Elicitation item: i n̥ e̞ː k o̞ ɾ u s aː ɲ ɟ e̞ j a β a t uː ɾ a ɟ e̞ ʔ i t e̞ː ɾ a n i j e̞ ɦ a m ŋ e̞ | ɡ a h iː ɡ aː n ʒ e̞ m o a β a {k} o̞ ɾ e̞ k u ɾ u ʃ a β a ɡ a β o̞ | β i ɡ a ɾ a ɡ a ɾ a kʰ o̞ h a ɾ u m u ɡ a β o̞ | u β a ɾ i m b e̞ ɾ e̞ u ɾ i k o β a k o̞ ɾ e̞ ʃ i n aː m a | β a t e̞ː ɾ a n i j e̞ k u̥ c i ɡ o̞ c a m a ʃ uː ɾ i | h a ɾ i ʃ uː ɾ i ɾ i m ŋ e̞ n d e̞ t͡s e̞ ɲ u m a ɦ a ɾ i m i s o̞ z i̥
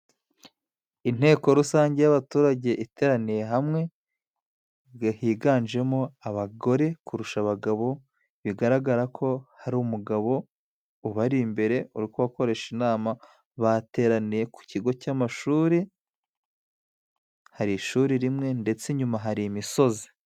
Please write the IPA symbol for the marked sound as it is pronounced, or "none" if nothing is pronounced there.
ɡ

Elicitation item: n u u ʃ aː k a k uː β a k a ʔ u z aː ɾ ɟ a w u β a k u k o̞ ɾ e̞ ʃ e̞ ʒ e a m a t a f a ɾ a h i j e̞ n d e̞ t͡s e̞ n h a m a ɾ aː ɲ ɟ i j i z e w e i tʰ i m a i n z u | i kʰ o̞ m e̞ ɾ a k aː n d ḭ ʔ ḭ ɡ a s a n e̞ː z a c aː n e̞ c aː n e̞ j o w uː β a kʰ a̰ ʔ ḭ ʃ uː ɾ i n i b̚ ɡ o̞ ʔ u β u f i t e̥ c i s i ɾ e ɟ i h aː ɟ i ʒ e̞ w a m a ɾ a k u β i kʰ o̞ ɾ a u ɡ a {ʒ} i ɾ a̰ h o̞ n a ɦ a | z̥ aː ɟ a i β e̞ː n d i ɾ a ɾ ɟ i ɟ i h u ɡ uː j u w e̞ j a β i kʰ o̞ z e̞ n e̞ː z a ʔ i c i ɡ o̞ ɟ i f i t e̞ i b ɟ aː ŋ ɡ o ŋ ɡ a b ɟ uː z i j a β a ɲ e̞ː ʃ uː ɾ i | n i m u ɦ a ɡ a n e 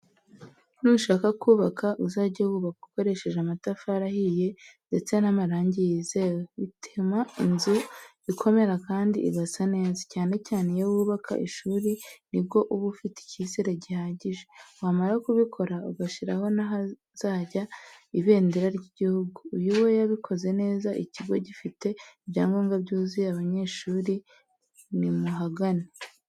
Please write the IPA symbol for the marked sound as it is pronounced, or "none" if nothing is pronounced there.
ʃ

